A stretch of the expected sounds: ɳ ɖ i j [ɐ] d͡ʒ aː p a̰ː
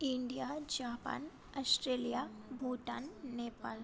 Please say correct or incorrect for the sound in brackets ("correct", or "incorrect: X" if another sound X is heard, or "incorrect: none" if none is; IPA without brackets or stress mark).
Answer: incorrect: a